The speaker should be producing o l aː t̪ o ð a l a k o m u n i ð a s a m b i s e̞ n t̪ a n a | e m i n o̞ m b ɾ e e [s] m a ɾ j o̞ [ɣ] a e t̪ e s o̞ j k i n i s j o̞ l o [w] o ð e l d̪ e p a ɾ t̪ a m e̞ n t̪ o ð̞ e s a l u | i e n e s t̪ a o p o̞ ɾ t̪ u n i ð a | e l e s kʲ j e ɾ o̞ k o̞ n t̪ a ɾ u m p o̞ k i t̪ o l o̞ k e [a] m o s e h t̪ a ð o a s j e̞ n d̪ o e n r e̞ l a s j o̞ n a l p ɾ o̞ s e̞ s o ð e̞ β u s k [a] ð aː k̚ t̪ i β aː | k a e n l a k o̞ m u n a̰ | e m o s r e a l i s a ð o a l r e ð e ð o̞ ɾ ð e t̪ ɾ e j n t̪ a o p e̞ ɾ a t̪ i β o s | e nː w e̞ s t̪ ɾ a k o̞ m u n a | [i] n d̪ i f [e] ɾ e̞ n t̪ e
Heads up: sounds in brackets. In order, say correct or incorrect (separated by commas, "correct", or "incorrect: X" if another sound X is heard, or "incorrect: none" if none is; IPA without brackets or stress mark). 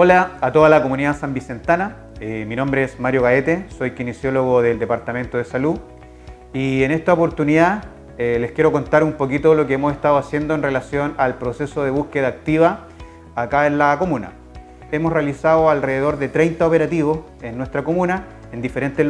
correct, correct, incorrect: ɣ, incorrect: e, incorrect: e, incorrect: e, correct